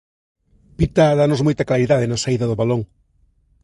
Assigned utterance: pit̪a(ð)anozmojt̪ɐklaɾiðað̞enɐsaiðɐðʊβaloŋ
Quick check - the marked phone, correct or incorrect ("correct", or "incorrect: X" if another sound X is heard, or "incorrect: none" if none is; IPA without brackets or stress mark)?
correct